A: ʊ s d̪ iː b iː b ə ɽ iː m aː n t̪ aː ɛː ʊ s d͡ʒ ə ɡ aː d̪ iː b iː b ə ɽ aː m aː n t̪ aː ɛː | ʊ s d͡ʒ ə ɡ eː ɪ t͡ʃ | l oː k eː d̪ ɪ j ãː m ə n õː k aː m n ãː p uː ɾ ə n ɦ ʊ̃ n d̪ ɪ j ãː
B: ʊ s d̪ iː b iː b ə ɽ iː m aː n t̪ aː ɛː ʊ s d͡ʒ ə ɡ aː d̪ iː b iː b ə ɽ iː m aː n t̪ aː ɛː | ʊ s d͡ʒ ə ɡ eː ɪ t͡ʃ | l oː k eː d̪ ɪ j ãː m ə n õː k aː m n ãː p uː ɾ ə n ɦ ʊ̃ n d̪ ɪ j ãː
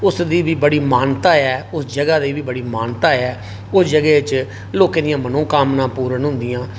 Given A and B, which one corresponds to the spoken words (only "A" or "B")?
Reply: B